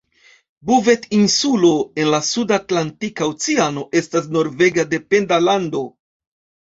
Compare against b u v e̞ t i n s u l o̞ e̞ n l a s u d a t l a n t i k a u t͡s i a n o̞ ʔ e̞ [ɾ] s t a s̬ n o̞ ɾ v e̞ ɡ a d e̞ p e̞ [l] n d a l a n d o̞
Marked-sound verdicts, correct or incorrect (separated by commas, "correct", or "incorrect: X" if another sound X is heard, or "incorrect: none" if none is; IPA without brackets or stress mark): incorrect: none, incorrect: none